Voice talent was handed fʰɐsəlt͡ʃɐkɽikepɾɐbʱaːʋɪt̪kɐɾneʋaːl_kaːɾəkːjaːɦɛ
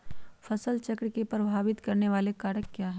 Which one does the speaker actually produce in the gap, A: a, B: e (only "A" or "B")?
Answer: B